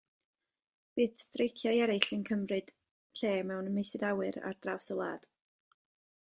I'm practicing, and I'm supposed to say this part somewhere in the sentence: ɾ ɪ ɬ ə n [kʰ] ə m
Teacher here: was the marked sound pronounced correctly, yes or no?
yes